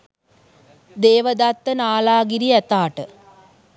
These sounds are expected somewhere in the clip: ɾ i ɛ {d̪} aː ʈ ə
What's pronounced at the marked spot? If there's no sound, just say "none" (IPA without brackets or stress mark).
t̪